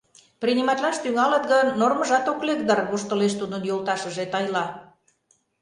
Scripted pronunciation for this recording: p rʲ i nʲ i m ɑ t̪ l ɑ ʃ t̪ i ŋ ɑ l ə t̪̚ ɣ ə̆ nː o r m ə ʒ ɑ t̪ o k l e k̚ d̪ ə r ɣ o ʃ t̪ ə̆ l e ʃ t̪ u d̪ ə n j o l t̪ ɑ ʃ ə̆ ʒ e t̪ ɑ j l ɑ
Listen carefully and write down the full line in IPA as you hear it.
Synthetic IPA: p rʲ i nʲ i m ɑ t̪ l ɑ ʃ t̪ y ŋ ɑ l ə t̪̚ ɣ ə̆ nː o r m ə ʒ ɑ t̪ o k l e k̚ d̪ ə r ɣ o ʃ t̪ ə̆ l e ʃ t̪ u d̪ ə n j o l t̪ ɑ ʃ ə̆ ʒ e t̪ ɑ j l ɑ